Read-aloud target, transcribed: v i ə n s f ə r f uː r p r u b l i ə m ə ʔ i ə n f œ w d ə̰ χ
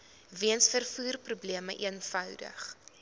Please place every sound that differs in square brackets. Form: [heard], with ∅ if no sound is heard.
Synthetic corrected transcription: v i ə n s f ə r f uː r p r u b l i ə m ə ʔ i ə n f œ w d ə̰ χ